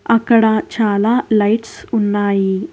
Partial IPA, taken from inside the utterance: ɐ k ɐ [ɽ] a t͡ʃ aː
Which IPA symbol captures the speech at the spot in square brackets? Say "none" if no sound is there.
ɽ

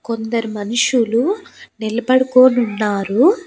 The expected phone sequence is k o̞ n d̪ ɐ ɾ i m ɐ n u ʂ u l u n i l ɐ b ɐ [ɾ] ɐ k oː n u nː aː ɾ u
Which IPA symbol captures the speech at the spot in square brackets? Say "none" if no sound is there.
ɽ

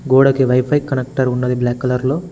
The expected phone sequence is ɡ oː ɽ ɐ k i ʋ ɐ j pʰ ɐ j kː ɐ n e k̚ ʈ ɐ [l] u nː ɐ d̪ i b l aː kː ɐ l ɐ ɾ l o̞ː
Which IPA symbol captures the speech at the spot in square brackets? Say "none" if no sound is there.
ɾ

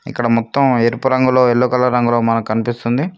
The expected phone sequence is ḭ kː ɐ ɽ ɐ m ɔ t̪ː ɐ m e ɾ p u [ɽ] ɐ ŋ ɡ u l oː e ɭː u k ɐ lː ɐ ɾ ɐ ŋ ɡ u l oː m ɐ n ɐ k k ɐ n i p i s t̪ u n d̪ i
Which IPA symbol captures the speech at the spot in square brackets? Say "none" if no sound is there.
ɾ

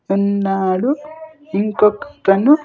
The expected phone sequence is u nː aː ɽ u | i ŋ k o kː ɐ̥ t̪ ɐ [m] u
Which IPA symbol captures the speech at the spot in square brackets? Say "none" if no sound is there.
n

